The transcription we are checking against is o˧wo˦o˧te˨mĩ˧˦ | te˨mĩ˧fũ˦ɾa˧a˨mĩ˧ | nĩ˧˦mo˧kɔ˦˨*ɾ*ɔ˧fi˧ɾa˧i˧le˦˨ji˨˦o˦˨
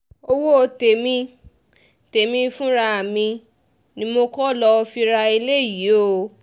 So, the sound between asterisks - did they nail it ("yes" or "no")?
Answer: no